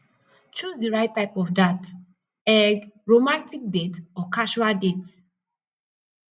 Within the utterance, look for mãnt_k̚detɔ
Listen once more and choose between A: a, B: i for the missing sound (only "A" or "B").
B